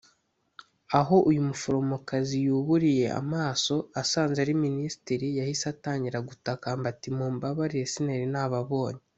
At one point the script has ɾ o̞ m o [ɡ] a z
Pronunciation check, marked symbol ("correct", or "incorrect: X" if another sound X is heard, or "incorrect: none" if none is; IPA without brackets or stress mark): incorrect: k